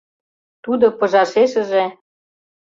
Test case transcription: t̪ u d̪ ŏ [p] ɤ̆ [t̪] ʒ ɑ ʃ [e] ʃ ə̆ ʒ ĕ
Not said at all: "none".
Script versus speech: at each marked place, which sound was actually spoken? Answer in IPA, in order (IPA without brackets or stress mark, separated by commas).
p, none, e